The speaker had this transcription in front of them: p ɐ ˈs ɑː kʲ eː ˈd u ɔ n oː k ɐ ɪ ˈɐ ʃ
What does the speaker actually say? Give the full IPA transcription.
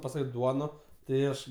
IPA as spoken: p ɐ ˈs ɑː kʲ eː ˈd u ɔ n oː t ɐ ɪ ˈɐ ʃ